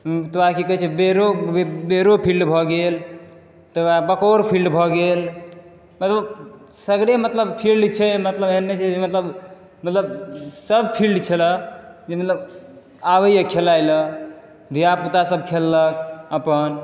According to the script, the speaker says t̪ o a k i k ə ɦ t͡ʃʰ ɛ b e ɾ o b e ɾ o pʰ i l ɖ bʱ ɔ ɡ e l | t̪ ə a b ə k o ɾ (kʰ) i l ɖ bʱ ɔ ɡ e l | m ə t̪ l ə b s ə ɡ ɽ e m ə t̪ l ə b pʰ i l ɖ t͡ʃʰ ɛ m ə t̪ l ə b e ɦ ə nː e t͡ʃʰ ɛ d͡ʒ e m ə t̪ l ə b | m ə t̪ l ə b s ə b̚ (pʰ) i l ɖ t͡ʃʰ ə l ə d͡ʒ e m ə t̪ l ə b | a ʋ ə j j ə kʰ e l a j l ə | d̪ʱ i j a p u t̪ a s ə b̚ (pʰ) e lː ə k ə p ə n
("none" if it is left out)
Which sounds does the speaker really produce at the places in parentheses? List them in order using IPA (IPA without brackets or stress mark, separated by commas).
pʰ, pʰ, kʰ